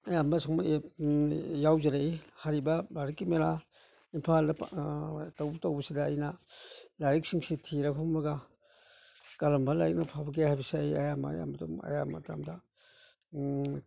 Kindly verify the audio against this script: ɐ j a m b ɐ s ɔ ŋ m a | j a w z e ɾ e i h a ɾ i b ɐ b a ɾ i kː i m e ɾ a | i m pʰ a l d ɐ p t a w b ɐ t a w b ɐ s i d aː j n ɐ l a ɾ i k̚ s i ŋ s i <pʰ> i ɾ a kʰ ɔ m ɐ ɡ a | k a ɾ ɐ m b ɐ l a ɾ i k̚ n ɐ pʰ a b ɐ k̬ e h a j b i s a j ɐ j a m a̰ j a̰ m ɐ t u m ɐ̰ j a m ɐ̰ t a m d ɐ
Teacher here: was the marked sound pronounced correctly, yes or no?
no